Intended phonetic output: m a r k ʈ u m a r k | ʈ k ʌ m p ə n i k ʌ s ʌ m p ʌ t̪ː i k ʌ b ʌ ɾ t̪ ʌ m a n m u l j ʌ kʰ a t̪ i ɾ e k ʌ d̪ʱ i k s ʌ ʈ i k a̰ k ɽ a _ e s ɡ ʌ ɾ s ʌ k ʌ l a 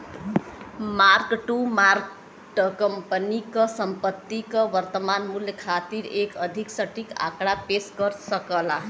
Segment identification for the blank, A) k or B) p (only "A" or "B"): B